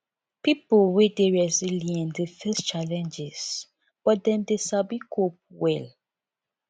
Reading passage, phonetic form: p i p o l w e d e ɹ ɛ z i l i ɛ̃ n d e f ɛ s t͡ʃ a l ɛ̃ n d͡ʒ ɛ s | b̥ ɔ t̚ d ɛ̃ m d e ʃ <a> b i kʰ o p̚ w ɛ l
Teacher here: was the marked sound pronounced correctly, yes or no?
yes